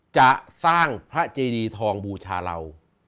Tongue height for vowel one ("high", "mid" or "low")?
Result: low